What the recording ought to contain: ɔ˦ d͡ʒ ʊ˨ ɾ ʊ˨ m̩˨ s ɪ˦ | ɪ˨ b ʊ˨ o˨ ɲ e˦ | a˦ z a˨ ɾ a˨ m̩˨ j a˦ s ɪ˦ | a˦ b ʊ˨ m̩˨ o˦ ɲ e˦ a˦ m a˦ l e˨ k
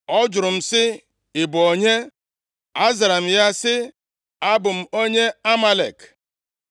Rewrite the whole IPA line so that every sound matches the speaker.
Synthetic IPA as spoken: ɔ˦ d͡ʒ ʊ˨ ɾ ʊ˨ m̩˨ s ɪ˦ | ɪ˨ b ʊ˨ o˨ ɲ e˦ | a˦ z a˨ ɾ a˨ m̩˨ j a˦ s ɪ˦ | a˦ b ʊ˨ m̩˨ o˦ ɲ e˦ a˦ m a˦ l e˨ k